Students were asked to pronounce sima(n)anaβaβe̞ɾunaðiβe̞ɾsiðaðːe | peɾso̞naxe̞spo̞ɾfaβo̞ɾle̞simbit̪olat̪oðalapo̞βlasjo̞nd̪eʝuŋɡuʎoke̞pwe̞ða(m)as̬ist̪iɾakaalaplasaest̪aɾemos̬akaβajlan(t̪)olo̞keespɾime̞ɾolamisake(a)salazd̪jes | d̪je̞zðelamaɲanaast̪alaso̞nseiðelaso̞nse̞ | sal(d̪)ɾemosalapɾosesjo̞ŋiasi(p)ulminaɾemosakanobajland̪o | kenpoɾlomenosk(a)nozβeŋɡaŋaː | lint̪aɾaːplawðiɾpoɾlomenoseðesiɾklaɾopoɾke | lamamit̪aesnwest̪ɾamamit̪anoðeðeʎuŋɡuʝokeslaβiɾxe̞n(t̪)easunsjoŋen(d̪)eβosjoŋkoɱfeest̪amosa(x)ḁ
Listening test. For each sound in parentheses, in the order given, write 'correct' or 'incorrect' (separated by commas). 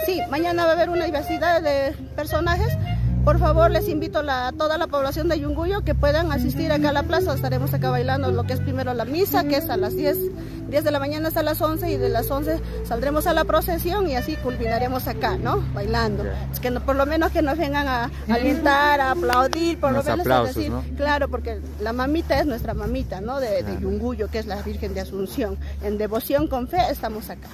incorrect, incorrect, incorrect, incorrect, correct, incorrect, incorrect, incorrect, correct, incorrect